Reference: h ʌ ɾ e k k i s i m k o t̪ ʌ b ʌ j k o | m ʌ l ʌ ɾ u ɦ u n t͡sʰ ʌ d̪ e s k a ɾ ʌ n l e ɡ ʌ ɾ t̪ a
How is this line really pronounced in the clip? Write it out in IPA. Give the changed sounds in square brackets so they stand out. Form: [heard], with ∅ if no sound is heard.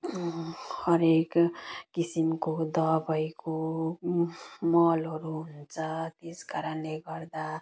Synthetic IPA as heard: h ʌ ɾ e k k i s i m k o [d̪] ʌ b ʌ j k o | m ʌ l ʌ ɾ u ɦ u n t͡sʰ ʌ [t̪] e s k a ɾ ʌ n l e ɡ ʌ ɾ [d̪] a